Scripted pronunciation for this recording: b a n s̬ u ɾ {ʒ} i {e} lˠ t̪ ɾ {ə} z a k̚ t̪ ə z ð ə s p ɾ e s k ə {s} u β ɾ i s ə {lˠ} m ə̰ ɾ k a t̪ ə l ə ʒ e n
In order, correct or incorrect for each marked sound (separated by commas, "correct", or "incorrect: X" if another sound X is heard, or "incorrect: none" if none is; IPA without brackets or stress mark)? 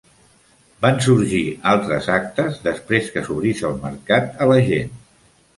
correct, incorrect: a, correct, correct, correct